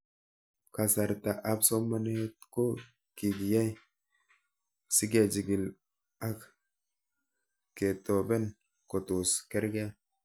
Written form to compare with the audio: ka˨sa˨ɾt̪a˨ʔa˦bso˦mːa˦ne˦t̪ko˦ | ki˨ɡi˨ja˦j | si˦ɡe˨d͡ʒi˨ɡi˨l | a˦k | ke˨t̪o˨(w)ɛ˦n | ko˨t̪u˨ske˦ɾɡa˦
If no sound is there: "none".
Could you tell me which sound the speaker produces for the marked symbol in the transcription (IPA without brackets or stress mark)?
b